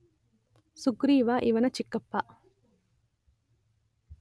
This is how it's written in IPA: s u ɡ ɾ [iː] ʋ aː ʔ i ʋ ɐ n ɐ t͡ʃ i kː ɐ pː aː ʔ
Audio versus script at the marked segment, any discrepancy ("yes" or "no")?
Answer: no